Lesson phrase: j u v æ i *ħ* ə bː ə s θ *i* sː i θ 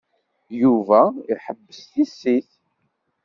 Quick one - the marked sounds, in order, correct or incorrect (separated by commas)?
correct, correct